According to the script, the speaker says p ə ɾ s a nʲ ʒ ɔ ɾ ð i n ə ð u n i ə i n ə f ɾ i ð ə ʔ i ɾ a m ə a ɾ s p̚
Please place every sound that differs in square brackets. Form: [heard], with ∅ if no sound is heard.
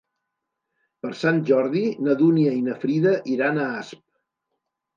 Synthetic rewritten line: p ə ɾ s a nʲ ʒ ɔ ɾ ð i n ə ð u n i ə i n ə f ɾ i ð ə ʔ i ɾ a [n] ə a [∅] s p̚